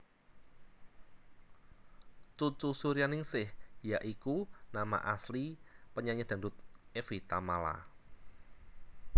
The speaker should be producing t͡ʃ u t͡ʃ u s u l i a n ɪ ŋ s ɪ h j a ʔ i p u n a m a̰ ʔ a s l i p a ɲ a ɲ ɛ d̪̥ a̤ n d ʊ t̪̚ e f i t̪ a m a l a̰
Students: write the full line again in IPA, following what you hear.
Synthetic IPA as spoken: t͡ʃ u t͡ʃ u s u ɾ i a n ɪ ŋ s ɪ h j a ʔ i k u n a m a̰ ʔ a s l i p ə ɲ a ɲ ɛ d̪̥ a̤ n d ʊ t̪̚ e f i t̪ a m a l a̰